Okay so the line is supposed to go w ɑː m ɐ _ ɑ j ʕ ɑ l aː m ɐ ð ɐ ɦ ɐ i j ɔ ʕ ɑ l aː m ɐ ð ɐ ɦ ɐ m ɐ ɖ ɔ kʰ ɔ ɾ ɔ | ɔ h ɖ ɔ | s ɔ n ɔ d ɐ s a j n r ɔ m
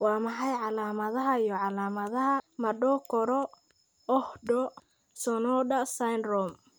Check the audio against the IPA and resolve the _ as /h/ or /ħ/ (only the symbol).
ħ